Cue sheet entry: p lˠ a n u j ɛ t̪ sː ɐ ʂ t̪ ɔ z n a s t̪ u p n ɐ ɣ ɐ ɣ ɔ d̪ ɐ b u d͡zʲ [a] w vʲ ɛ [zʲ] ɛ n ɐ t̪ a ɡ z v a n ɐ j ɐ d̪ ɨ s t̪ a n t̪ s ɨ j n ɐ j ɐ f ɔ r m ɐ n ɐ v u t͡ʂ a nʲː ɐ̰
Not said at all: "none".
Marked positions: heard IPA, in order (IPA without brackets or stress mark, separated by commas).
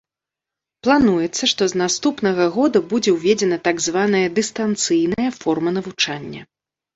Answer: ɛ, d͡zʲ